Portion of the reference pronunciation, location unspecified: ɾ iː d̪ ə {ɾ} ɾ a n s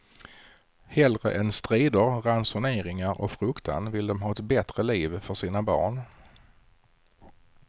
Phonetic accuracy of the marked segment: correct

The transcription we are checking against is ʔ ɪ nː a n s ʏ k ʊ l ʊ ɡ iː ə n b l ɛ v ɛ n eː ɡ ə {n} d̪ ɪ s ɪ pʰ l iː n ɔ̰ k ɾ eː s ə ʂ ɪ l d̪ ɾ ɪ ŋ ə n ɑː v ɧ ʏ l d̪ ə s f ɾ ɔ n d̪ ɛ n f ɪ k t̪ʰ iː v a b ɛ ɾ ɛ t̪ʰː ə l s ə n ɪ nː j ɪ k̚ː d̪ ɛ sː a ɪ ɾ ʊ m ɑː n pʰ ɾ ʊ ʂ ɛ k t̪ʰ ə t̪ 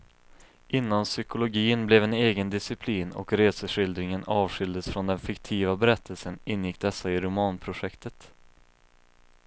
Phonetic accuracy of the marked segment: correct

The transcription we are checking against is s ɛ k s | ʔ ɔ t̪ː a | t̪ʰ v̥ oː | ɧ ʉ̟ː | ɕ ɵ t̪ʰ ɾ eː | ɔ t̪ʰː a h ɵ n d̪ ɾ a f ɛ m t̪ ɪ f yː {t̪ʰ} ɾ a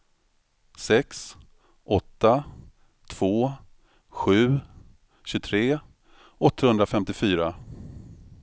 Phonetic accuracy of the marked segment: incorrect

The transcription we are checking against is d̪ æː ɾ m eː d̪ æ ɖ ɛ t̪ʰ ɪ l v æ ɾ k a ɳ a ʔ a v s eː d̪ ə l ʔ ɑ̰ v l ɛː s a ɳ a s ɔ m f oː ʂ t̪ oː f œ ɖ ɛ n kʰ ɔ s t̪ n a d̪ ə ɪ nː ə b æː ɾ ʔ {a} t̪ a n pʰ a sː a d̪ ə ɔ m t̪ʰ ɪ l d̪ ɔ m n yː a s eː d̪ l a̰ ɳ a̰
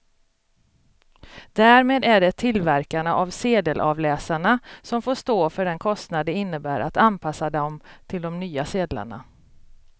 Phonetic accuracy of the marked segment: correct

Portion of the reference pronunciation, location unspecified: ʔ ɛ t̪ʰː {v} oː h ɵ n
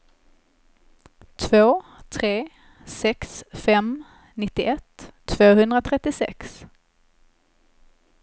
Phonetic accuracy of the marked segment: correct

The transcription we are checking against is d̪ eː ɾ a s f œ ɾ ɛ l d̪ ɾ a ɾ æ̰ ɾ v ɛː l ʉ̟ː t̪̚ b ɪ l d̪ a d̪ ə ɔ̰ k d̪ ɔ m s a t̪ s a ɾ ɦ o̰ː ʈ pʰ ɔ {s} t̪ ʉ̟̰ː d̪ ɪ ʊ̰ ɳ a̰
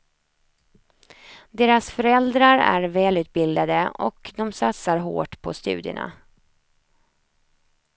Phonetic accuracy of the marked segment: correct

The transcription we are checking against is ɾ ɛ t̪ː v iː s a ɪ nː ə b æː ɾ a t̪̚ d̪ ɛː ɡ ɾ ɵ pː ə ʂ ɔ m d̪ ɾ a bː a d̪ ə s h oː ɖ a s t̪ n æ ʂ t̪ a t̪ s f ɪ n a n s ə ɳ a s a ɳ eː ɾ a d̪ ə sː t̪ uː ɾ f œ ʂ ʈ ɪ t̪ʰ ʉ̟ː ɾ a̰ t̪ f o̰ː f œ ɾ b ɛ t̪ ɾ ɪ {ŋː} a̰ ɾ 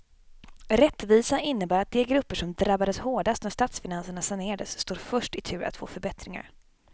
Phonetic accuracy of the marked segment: incorrect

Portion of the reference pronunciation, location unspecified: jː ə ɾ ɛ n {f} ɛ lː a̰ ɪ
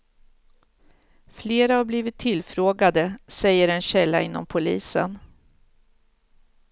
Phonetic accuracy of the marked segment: incorrect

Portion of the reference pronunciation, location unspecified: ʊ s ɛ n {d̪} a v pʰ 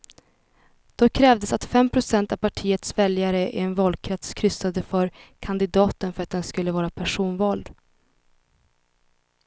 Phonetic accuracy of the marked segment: incorrect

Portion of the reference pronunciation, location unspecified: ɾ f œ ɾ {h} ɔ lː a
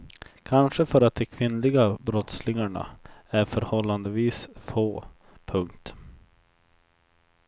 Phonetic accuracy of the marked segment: correct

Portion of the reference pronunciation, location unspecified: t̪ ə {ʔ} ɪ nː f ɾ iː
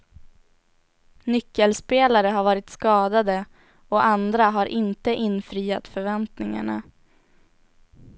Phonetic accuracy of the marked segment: correct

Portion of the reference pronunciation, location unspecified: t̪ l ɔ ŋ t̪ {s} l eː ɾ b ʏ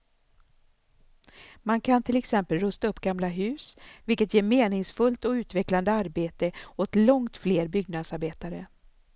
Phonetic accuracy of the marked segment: incorrect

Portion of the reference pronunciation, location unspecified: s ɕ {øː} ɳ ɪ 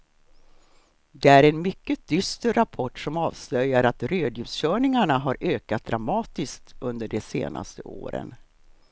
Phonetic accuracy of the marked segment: incorrect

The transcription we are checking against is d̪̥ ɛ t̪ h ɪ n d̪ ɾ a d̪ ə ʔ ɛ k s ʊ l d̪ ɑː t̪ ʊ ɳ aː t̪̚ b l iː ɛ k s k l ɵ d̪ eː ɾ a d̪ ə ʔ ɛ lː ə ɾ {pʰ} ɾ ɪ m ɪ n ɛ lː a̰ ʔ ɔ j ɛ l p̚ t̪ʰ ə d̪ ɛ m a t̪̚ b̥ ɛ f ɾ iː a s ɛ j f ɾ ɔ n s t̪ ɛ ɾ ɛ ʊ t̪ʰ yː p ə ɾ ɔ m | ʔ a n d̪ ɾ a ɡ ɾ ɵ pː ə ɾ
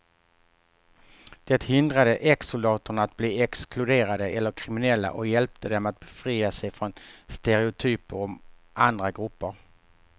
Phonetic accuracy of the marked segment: incorrect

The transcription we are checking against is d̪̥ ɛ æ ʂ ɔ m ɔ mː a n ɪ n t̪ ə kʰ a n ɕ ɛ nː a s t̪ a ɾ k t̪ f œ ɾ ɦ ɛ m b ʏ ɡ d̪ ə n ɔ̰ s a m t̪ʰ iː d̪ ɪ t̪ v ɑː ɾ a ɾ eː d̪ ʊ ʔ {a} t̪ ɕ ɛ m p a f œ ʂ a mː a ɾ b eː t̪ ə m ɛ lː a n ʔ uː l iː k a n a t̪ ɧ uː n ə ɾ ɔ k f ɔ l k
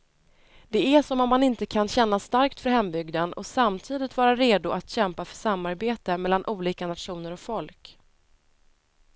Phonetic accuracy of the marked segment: correct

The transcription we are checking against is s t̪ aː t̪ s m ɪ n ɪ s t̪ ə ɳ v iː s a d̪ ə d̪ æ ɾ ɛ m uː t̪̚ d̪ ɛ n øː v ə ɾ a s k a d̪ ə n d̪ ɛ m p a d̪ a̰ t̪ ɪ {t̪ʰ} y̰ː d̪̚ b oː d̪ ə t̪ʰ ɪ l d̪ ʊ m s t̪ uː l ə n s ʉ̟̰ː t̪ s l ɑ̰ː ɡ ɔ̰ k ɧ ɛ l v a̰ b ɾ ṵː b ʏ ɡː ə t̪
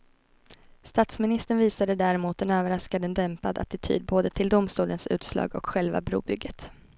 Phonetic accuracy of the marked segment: correct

